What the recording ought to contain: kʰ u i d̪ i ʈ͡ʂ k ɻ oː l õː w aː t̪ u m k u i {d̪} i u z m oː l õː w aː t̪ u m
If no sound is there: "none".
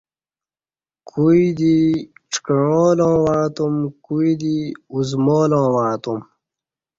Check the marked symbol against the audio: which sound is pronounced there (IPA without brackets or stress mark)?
d̪